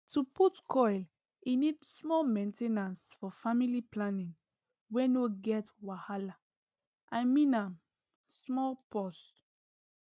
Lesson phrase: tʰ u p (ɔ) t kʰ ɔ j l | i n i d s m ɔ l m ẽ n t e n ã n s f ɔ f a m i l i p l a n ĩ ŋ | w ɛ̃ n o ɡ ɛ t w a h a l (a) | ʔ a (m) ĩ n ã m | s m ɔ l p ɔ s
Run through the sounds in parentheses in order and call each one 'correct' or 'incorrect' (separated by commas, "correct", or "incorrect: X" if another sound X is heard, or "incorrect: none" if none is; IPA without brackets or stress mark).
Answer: incorrect: u, correct, correct